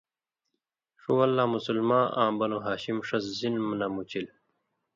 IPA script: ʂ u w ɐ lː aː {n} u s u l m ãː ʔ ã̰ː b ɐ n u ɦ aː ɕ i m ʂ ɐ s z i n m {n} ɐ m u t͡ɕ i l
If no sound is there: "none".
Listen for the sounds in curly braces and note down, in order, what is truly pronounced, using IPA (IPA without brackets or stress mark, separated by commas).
m, n